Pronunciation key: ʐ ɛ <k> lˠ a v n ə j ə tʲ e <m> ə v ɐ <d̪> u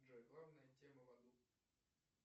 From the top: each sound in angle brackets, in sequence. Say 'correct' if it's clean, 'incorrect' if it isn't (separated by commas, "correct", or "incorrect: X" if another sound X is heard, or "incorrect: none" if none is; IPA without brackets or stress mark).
incorrect: ɡ, correct, correct